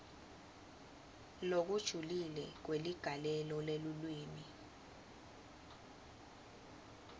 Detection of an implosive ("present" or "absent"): absent